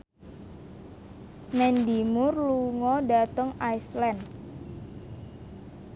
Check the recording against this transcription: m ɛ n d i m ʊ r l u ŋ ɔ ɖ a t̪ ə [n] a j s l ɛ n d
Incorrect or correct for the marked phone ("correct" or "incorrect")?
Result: incorrect